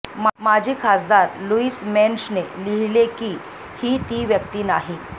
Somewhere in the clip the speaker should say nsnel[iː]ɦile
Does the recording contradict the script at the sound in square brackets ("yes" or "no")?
yes